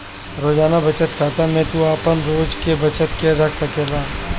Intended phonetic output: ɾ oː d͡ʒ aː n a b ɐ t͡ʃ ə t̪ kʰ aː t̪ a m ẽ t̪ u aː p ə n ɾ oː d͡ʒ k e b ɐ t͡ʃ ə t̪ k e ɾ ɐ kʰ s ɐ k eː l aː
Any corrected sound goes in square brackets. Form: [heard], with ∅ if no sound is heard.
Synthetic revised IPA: ɾ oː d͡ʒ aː n a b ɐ t͡ʃ ə t̪ kʰ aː t̪ a m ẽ t̪ u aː p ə n ɾ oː d͡ʒ k e b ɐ t͡ʃ ə t̪ k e ɾ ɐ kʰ s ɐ k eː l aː